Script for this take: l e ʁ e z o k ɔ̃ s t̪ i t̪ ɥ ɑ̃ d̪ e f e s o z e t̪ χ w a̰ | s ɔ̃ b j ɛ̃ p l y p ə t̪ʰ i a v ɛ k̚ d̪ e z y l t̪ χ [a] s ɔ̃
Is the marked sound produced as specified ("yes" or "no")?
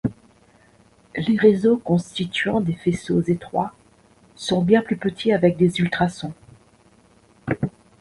yes